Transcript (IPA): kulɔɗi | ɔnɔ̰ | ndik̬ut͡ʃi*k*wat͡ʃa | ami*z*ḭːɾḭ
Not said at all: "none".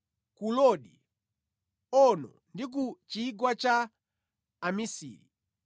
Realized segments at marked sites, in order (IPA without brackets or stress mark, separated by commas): ɡ, s